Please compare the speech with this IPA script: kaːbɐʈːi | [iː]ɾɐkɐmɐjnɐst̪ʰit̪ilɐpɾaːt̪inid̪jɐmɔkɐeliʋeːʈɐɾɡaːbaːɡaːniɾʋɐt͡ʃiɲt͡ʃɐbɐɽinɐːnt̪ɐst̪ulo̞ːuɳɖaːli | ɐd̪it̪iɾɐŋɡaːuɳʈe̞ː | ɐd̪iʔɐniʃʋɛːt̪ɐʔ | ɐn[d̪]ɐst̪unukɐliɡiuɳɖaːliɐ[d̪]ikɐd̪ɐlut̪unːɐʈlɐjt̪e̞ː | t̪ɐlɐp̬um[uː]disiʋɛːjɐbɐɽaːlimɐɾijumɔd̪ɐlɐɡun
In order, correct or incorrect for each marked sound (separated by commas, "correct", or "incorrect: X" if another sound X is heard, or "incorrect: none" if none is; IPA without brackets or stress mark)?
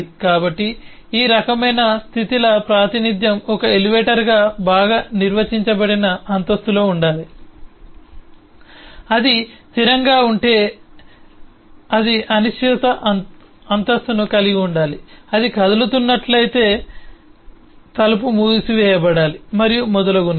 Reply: correct, incorrect: t̪, correct, correct